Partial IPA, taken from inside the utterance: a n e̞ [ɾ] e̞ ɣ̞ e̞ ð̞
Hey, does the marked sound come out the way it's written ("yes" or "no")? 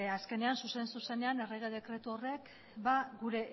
no